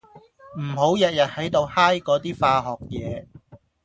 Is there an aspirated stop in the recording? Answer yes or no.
no